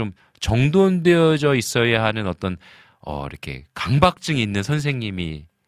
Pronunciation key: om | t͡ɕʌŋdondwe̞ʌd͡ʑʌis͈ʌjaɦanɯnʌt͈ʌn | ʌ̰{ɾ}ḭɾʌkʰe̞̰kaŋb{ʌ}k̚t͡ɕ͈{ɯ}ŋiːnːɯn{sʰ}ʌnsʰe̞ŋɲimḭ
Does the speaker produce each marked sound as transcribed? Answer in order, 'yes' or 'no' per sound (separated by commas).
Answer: no, no, yes, yes